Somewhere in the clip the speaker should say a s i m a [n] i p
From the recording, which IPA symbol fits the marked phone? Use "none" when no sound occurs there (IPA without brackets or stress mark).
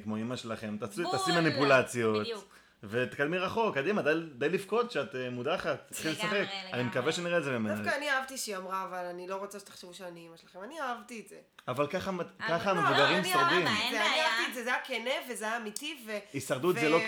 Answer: n